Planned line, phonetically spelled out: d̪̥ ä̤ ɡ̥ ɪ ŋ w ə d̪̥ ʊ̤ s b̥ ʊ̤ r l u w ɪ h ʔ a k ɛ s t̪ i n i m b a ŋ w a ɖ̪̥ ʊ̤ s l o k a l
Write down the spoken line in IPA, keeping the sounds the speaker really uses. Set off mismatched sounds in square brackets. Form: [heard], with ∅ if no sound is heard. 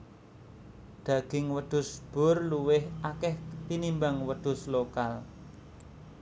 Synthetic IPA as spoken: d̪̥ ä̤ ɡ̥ ɪ ŋ w ə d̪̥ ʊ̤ s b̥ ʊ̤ r l u w ɪ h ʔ a k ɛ [h] t̪ i n i m b a ŋ w [ə] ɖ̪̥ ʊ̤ s l o k a l